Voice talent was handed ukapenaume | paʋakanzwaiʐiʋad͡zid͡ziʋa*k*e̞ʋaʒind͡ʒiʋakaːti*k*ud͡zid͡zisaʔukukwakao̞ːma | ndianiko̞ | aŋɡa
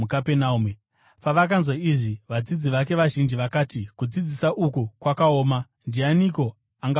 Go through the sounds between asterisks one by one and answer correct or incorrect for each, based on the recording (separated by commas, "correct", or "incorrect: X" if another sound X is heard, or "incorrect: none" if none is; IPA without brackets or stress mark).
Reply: correct, correct